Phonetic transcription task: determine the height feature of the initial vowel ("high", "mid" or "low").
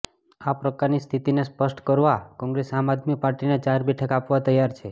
low